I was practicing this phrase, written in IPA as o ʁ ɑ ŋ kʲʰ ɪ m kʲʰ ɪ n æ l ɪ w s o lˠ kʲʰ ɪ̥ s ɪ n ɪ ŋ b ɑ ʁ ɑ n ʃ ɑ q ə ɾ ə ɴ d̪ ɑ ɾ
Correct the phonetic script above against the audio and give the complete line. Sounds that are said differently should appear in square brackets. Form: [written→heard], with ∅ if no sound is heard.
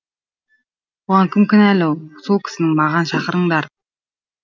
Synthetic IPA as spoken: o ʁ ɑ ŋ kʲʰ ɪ m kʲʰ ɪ n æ l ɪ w s o lˠ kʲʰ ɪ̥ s ɪ n ɪ ŋ [b→m] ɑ ʁ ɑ n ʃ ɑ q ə ɾ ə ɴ d̪ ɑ ɾ